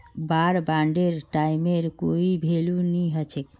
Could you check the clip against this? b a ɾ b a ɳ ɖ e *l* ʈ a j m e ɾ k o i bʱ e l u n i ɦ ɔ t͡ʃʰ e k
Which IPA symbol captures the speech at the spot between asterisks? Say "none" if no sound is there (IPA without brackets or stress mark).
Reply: ɾ